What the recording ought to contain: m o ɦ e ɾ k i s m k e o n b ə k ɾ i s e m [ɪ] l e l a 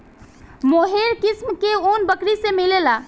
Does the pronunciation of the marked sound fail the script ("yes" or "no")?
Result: yes